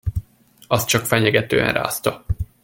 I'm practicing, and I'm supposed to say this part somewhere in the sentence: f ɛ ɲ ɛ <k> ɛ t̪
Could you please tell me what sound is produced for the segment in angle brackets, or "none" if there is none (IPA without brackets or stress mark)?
ɡ